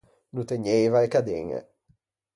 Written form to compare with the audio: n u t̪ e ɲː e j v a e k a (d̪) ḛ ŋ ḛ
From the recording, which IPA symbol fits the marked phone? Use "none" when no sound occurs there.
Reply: d̪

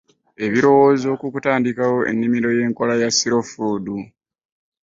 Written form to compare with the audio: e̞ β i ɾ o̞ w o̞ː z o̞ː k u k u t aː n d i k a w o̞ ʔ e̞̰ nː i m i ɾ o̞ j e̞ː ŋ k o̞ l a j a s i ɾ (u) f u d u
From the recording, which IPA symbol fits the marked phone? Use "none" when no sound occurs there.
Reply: o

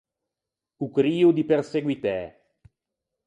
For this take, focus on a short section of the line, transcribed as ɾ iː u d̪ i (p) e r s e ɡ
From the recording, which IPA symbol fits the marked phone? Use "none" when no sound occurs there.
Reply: p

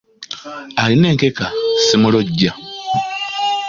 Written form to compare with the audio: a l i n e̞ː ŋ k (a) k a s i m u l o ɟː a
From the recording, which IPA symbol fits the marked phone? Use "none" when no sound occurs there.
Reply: e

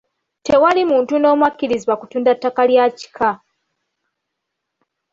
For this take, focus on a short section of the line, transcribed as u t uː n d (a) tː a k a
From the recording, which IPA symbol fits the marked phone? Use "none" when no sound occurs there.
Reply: a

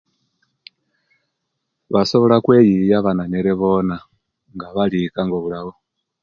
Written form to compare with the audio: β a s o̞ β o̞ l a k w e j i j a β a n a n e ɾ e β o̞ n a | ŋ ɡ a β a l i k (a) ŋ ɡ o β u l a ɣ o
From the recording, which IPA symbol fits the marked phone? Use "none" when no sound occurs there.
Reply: a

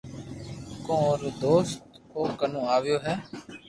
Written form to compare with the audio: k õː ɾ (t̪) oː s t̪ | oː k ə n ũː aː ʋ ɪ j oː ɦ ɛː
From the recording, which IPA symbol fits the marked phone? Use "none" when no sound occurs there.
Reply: d̪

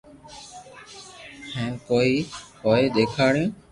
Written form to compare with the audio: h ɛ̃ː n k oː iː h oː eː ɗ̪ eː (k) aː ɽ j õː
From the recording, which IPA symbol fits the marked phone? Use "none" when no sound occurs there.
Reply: kʰ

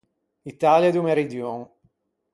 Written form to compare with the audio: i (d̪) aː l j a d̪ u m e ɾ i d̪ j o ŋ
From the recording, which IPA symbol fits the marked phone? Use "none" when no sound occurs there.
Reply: t̪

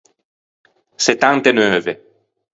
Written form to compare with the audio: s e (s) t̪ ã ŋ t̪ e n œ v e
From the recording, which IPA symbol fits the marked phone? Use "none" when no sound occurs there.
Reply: none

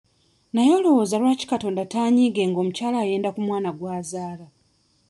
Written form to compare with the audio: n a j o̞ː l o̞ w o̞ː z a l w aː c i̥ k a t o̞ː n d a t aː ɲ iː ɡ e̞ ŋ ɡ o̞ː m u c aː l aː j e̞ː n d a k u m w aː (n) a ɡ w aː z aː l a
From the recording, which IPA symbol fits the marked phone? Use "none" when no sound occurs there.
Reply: n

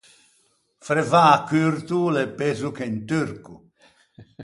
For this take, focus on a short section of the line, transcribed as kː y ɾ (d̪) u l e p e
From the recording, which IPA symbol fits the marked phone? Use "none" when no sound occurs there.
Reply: t̪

